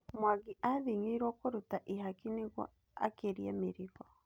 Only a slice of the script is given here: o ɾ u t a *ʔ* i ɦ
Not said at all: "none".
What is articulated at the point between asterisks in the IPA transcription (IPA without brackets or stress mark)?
ʔ